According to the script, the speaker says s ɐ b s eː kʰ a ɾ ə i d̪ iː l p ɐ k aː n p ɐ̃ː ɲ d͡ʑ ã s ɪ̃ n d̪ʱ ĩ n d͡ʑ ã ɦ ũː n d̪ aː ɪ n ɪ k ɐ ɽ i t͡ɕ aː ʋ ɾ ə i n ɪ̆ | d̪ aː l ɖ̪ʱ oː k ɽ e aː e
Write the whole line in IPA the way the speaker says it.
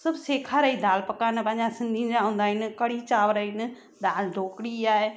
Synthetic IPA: s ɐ b s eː kʰ a ɾ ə i d̪ aː l p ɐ k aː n p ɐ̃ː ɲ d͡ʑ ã s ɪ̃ n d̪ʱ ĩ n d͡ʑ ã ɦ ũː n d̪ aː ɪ n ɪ k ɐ ɽ i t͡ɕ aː ʋ ɾ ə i n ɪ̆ | d̪ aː l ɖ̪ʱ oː k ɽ i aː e